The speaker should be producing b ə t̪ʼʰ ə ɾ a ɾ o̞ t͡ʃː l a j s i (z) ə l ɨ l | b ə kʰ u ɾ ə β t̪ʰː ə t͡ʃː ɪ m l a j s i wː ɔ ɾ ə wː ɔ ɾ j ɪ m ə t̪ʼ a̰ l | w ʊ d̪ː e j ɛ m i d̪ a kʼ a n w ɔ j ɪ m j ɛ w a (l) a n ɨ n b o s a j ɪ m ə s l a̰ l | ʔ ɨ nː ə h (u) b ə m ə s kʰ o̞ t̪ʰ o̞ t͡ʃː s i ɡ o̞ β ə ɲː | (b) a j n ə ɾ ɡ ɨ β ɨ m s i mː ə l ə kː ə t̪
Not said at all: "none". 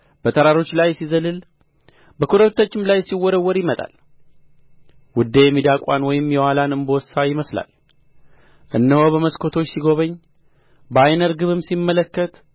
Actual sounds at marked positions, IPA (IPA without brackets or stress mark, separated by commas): z, l, o, b